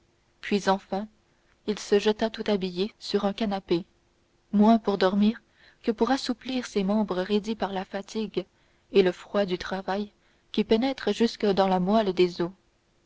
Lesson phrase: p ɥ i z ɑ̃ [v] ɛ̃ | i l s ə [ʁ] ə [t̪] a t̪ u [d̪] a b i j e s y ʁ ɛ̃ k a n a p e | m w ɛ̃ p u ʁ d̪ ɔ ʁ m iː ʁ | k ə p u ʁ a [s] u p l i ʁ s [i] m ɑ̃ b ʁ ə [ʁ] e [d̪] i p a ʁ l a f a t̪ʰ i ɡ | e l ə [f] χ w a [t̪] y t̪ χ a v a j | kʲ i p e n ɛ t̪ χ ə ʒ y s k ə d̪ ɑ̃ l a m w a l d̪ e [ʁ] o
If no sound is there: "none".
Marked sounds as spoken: f, ʒ, t̪, t̪, s, e, ʁ, d̪, f, d̪, z

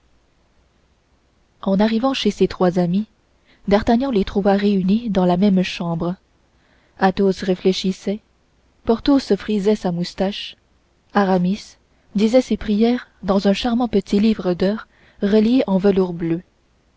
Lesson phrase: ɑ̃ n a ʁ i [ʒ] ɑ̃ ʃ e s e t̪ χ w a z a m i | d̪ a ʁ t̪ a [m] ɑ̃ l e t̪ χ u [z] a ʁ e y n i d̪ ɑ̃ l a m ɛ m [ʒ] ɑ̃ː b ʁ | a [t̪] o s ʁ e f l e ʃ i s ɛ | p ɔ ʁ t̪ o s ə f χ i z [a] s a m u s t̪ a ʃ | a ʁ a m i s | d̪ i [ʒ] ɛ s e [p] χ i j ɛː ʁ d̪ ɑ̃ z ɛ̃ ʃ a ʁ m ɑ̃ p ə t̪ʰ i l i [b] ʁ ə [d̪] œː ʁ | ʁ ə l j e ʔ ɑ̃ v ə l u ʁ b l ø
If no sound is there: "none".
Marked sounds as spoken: v, ɲ, v, ʃ, t̪, ɛ, z, p, v, d̪

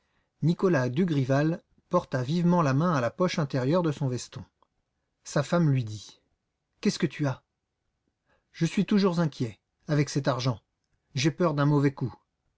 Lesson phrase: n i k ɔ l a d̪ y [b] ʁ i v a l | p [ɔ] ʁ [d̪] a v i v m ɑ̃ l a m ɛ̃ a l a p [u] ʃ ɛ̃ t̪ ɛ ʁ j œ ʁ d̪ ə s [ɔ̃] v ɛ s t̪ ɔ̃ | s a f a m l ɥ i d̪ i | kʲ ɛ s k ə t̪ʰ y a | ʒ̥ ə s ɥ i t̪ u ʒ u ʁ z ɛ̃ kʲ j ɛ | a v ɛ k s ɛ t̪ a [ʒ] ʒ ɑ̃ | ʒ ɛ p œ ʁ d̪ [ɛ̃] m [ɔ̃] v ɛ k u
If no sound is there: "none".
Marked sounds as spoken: ɡ, ɔ, t̪, ɔ, ɔ̃, ʁ, ɛ̃, ɔ

